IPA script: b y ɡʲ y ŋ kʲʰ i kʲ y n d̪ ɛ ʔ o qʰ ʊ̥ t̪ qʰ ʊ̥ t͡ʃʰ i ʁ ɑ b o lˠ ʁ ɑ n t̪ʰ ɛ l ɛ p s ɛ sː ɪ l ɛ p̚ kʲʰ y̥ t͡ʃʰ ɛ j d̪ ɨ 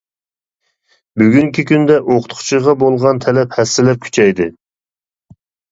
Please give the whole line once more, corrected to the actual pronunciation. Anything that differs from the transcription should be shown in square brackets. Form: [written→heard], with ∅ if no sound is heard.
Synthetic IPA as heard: b y ɡʲ y ŋ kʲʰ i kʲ y n d̪ ɛ ʔ o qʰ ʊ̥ t̪ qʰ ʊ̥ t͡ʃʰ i ʁ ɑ b o lˠ ʁ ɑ n t̪ʰ ɛ l ɛ p [s→h] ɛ sː ɪ l ɛ p̚ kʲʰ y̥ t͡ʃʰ ɛ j d̪ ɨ